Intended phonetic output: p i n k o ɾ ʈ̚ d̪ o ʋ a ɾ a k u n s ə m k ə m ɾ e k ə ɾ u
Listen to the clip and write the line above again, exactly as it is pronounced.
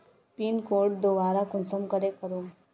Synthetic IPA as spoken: p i n k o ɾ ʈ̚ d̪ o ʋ a ɾ a k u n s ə m k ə ɾ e k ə ɾ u